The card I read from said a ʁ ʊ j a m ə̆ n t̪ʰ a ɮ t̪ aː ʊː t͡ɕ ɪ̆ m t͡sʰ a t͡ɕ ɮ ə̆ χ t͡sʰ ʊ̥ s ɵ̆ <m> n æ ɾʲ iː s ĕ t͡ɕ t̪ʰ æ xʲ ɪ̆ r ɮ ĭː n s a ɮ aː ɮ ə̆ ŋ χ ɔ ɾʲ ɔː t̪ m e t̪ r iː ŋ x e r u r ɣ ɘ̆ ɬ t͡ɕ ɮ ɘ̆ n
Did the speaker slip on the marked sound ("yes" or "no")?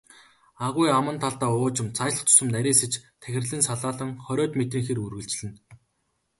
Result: no